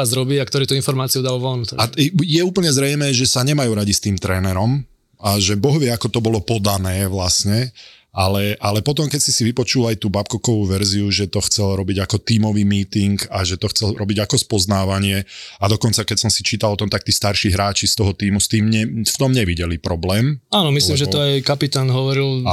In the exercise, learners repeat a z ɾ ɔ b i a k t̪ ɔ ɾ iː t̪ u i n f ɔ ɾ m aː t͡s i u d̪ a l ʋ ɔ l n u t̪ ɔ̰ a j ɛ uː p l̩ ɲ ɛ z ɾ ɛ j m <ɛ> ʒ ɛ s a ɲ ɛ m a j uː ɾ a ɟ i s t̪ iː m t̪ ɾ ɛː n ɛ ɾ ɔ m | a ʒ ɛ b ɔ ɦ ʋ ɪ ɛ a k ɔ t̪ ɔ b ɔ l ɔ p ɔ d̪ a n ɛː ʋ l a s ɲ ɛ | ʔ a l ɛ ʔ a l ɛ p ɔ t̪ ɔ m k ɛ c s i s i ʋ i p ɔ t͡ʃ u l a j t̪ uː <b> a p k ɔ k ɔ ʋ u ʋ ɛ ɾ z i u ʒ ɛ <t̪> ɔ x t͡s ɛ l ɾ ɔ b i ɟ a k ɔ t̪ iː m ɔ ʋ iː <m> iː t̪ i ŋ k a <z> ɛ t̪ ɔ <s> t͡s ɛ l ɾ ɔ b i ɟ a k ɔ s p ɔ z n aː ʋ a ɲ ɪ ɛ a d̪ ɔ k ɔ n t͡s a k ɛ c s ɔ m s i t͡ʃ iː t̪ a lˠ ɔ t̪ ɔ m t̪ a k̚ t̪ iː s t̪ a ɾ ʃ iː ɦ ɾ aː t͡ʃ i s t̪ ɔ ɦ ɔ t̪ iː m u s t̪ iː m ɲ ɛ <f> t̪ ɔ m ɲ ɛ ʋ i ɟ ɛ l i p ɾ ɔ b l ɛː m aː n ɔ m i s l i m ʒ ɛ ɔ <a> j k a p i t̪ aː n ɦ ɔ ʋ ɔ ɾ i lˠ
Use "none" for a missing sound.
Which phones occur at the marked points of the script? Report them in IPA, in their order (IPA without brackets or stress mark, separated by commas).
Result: ɛː, b, t̪, m, ʒ, x, f, a